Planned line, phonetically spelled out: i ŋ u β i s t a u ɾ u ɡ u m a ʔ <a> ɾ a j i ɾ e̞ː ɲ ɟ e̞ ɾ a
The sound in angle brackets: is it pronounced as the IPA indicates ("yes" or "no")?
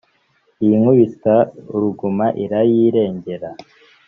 no